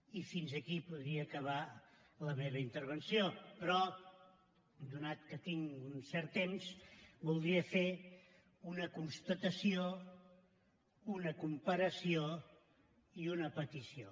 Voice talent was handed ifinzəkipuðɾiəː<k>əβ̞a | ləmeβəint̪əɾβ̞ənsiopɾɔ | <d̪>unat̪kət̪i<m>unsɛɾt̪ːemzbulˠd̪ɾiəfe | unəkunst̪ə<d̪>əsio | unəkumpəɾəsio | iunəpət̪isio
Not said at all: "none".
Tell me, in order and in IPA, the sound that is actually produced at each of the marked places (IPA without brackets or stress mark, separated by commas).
k, d̪, ŋ, t̪